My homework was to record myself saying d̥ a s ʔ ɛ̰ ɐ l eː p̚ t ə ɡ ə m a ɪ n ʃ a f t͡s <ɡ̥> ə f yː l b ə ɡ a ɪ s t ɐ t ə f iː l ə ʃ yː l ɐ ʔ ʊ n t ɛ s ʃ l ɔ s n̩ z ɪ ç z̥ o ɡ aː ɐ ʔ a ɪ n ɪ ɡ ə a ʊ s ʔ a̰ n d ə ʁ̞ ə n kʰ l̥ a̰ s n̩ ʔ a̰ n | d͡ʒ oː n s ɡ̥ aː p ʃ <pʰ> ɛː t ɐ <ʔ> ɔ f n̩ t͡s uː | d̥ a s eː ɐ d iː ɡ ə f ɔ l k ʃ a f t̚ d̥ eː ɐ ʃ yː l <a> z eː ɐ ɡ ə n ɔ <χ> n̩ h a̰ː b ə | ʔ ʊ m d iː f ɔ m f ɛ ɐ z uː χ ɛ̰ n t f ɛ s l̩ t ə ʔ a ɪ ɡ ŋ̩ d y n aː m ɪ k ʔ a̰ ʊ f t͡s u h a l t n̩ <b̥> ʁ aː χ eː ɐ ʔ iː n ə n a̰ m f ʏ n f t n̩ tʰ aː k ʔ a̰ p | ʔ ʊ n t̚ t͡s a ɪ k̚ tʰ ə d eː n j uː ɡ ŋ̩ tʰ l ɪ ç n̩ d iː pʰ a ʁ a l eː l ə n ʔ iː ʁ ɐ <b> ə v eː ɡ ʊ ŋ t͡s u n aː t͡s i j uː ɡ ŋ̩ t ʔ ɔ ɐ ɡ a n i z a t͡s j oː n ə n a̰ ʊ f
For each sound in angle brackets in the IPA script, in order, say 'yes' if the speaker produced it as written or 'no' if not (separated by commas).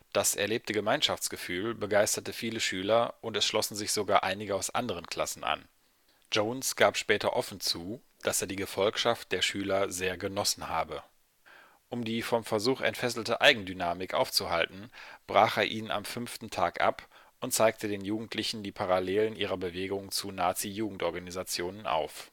yes, no, yes, no, no, yes, yes